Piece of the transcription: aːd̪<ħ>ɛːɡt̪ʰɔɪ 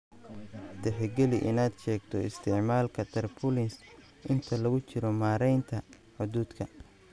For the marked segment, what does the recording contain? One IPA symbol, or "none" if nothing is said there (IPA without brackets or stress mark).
ʃ